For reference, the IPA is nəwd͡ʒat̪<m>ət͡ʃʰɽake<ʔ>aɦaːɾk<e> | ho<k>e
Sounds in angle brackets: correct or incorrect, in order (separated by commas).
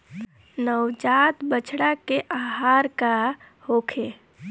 incorrect, correct, incorrect, incorrect